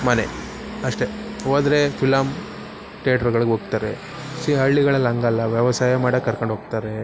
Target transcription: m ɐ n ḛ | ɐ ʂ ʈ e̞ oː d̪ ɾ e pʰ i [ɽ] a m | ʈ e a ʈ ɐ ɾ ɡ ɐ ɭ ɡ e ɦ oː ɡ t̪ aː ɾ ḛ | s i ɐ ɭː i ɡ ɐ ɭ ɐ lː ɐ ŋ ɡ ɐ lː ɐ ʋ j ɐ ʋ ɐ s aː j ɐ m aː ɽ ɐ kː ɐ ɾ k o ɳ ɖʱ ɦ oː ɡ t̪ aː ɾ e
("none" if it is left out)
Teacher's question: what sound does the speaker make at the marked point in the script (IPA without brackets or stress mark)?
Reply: l